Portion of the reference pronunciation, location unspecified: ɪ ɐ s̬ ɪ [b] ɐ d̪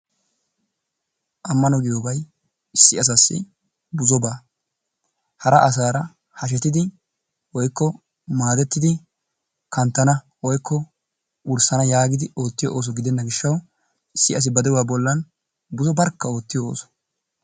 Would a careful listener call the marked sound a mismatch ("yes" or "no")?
no